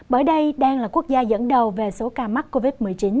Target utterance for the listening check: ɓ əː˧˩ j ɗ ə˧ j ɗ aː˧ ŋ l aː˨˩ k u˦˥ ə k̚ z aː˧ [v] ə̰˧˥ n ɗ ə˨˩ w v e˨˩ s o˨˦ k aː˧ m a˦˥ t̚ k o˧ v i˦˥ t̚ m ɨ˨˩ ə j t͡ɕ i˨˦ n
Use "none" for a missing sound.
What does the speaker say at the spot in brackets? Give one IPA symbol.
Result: z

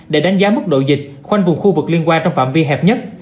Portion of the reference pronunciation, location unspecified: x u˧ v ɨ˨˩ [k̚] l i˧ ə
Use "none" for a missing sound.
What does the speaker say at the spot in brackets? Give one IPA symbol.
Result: k̚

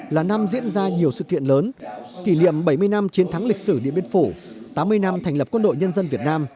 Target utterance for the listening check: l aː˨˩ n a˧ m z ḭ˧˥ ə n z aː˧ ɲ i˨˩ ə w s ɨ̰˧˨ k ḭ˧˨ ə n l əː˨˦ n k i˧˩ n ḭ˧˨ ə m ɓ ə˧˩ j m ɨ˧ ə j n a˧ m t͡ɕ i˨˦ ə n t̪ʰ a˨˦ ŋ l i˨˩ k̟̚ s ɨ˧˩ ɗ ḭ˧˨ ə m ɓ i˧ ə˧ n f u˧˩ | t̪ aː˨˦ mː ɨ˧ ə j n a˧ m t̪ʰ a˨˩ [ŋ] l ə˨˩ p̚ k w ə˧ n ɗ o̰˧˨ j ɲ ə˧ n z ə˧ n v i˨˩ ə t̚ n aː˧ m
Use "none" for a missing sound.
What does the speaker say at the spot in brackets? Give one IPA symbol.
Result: ŋ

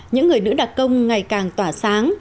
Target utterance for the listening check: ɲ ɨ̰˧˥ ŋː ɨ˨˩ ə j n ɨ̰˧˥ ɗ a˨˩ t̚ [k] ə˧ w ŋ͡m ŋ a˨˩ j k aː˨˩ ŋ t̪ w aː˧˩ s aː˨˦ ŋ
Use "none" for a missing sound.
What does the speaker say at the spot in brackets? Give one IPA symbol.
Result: k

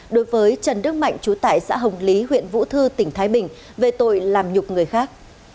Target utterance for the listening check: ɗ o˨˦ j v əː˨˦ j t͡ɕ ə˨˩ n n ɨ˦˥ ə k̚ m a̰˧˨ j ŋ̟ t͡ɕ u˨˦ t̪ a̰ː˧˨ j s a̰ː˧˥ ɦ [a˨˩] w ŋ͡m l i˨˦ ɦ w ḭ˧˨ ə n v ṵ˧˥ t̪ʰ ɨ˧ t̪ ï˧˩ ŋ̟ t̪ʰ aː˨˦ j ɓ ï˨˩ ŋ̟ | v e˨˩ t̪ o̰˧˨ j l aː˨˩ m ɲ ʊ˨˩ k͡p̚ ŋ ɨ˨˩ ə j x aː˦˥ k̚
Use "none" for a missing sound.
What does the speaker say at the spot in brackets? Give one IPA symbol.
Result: ə˨˩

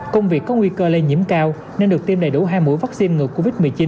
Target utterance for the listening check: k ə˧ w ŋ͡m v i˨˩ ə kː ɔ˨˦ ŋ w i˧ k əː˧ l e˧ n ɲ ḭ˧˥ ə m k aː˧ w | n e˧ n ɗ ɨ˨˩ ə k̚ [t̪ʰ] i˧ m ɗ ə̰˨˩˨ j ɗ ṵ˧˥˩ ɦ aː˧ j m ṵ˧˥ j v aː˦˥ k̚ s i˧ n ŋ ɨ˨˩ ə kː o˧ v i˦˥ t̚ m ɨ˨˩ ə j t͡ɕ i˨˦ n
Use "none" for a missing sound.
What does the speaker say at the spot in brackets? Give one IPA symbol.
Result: t̪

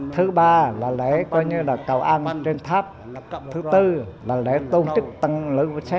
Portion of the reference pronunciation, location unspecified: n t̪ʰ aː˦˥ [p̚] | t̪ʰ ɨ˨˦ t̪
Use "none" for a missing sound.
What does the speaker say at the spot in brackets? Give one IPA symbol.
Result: p̚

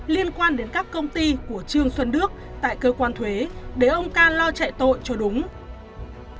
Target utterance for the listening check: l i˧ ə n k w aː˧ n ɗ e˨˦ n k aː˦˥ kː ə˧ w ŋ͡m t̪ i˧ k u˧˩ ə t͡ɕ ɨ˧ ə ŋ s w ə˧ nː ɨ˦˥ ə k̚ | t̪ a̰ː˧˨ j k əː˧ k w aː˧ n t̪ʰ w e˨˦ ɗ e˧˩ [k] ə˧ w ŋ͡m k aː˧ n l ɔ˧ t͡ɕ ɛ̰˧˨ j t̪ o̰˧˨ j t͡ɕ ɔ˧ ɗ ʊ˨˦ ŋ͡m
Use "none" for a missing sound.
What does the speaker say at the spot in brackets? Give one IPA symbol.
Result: ʔ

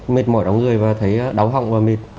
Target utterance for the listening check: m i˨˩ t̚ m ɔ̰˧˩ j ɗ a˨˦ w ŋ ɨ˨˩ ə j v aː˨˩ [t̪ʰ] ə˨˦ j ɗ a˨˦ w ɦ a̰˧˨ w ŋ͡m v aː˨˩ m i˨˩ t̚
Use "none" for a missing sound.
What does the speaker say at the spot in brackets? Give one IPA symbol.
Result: t̪ʰ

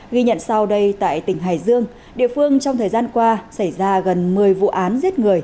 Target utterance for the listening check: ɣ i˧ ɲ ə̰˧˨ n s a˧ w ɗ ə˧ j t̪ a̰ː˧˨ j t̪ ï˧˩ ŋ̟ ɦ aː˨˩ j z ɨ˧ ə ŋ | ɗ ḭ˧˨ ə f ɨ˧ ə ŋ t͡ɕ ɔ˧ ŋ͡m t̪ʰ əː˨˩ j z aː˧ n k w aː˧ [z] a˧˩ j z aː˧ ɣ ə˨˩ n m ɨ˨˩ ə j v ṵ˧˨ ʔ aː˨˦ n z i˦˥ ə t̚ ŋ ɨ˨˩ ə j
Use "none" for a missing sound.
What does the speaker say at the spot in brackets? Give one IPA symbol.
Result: s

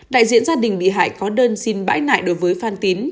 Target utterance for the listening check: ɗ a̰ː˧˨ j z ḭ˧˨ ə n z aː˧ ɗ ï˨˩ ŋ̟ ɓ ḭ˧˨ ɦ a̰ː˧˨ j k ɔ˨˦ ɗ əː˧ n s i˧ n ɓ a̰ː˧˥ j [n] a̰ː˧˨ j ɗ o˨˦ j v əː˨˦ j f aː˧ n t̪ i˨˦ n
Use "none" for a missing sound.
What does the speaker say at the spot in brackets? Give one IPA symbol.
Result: n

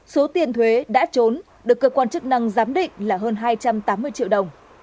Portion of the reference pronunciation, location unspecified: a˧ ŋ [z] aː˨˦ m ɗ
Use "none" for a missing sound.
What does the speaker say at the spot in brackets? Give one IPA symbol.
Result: z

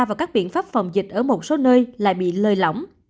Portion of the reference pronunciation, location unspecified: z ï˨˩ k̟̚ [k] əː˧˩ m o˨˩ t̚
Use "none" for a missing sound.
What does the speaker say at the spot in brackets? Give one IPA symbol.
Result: ʔ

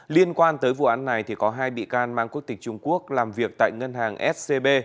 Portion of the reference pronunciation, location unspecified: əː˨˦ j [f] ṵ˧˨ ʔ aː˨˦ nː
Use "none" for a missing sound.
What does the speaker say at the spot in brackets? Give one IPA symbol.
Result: v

